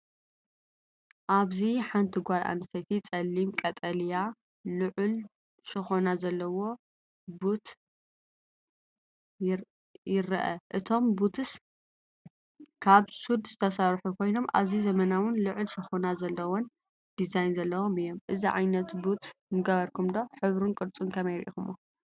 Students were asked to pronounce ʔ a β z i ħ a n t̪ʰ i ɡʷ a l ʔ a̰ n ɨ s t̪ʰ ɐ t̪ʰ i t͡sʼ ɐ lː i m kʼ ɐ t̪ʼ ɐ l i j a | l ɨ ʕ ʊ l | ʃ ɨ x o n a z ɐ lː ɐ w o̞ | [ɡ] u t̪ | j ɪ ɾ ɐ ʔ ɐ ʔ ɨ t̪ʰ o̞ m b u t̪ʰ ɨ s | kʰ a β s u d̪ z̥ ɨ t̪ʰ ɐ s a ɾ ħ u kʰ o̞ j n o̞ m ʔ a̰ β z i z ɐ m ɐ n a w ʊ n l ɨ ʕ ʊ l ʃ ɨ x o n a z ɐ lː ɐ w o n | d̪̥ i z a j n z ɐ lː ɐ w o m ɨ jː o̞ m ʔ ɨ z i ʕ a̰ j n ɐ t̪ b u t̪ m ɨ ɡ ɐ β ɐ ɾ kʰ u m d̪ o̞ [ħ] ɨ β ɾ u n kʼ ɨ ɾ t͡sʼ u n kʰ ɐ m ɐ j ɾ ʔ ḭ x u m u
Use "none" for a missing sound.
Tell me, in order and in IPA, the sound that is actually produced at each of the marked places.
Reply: b, ħ

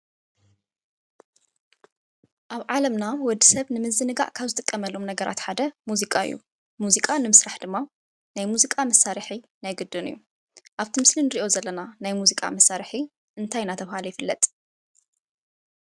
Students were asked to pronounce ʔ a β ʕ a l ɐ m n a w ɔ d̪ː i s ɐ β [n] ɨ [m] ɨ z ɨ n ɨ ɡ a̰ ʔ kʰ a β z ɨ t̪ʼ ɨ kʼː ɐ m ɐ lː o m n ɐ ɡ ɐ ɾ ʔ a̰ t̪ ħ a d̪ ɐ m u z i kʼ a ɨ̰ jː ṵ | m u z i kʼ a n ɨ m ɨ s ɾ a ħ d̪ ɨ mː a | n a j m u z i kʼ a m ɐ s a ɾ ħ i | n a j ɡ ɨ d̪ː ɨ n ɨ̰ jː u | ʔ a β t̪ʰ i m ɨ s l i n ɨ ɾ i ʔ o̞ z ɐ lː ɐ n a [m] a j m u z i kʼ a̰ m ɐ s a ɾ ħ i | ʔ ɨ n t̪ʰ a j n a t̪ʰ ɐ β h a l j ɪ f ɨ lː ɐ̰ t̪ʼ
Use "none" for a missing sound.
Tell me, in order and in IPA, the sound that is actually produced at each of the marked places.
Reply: n, m, n

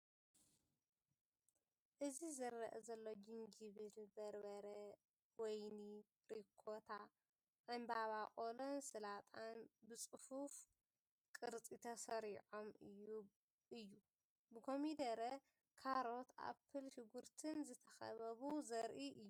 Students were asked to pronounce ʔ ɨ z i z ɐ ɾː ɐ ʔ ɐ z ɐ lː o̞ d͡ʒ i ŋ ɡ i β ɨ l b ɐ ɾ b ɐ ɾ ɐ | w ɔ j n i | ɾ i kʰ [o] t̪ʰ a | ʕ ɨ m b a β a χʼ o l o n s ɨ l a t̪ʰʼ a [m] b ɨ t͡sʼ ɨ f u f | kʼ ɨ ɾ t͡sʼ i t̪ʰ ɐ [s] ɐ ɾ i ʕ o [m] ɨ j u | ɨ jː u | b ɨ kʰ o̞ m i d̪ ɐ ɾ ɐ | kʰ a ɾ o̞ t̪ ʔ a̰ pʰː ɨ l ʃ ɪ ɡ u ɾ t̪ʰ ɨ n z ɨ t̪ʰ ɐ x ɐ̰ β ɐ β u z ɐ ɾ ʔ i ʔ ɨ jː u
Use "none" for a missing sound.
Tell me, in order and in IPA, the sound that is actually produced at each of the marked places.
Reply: o, n, s, m

